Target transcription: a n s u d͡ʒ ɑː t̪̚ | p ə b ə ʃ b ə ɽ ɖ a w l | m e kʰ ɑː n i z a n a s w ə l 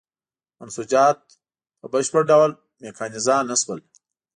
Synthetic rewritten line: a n s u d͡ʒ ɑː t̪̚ | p ə b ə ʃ p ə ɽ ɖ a w l | m e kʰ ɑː n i z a n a s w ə l

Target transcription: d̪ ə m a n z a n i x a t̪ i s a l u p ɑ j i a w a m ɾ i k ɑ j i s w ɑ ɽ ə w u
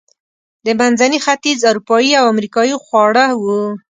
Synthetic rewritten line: d̪ ə m a n z a n i x a t̪ i z a ɾ u p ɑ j i a w a m ɾ i k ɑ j i x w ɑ ɽ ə w u

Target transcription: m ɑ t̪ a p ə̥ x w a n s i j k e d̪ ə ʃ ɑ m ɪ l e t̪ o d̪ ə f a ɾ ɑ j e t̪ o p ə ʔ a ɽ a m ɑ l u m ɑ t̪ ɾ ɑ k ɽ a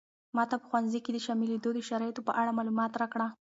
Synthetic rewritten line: m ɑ t̪ a p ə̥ x w a n z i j k e d̪ ə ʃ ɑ m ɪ l e d̪ o d̪ ə ʃ a ɾ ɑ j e t̪ o p ə ʔ a ɽ a m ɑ l u m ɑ t̪ ɾ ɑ k ɽ a

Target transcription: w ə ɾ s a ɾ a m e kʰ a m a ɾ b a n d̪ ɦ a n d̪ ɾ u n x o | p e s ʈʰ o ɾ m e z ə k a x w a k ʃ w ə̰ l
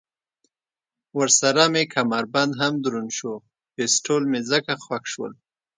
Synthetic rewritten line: w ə ɾ s a ɾ a m e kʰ a m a ɾ b a n d̪ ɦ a m d̪ ɾ u n ʃ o | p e s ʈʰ o l m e z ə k a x w a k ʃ w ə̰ l

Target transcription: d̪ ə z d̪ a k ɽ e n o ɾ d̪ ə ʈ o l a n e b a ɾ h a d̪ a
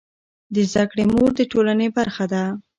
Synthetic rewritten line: d̪ ə z d̪ a k ɽ e m o ɾ d̪ ə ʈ o l a n e b a ɾ x a d̪ a

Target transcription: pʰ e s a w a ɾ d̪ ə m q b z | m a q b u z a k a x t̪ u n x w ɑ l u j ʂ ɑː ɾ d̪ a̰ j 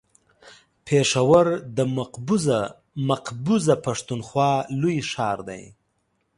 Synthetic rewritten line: pʰ e ʂ a w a ɾ d̪ ə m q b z | m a q b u z a p a ʂ t̪ u n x w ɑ l u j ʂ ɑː ɾ d̪ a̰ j

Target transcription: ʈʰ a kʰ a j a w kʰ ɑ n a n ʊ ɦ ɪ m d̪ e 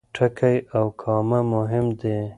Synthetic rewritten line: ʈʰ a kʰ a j a w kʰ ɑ m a m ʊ ɦ ɪ m d̪ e

